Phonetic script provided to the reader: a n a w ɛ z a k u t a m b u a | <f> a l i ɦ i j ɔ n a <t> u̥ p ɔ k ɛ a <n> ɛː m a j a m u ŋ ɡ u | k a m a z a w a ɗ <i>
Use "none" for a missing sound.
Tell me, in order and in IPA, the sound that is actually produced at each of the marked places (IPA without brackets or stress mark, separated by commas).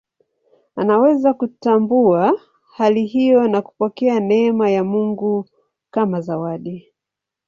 h, k, n, i